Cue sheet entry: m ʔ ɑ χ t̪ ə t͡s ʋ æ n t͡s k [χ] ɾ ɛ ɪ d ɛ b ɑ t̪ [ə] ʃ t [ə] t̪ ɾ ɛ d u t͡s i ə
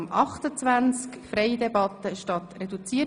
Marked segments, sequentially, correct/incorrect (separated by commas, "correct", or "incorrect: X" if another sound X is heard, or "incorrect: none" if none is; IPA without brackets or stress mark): incorrect: f, correct, incorrect: ɑ